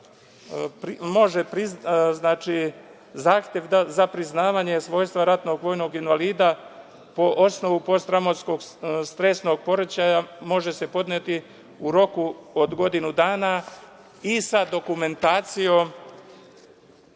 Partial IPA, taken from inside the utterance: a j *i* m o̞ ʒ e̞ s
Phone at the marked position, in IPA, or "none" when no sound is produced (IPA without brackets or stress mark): a